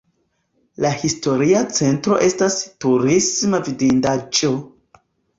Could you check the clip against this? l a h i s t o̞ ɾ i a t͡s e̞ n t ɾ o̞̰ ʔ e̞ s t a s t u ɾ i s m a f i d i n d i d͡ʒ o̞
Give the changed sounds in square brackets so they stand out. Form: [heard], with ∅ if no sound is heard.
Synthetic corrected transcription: l a h i s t o̞ ɾ i a t͡s e̞ n t ɾ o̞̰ ʔ e̞ s t a s t u ɾ i s m a [v] i d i n d [a] d͡ʒ o̞